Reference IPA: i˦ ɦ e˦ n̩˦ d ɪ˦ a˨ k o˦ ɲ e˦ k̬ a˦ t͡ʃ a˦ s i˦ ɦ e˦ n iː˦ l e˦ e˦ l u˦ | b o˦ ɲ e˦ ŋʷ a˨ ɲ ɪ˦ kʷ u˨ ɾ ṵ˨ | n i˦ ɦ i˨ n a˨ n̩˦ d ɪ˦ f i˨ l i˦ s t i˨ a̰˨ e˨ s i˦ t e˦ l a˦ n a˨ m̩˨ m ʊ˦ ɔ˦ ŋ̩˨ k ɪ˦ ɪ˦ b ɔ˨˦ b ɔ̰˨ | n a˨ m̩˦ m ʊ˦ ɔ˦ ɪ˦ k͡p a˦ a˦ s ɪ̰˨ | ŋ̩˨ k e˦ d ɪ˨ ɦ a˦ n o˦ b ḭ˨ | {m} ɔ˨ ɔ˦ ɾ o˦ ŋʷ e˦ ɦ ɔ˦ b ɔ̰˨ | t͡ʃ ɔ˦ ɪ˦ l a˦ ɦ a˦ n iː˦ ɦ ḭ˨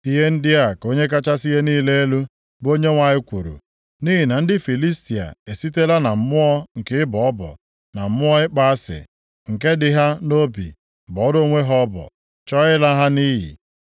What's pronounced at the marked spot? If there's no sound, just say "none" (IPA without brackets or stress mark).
b